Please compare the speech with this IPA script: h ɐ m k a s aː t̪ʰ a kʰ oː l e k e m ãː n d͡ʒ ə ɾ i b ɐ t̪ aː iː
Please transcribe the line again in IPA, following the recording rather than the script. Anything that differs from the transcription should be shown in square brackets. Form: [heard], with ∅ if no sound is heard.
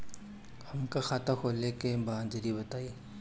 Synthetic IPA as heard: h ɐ m k a [x] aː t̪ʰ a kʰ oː l e k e [b] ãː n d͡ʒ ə ɾ i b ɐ t̪ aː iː